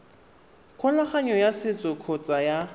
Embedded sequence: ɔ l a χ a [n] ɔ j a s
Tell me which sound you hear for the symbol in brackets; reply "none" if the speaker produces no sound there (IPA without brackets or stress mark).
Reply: ɲ